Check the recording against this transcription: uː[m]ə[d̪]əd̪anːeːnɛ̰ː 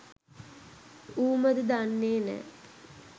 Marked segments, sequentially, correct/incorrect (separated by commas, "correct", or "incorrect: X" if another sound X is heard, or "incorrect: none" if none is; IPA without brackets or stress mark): correct, correct